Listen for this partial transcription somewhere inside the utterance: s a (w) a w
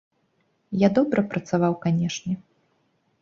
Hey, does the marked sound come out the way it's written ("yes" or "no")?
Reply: no